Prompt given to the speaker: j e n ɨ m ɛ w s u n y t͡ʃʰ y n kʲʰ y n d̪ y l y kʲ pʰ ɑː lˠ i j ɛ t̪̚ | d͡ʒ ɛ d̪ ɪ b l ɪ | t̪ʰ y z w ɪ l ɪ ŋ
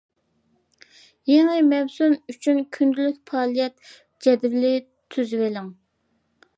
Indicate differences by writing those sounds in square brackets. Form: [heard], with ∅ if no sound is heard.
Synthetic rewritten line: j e [ŋ] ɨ m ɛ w s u n y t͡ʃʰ y n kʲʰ y n d̪ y l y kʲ pʰ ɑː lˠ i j ɛ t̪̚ | d͡ʒ ɛ d̪ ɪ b l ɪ | t̪ʰ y z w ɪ l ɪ ŋ